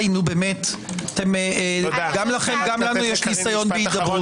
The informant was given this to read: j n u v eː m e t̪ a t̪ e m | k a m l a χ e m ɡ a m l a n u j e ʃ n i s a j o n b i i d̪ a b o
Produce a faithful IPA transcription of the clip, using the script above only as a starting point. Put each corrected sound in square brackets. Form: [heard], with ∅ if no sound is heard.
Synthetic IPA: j n u [b] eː m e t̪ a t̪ e m | [ɡ] a m l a χ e m ɡ a m l a n u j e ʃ n i s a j o n b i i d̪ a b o